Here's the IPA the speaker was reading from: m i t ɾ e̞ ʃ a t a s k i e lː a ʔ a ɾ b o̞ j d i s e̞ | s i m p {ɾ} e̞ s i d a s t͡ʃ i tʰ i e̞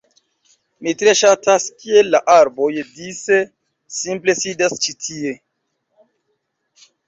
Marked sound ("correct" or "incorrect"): incorrect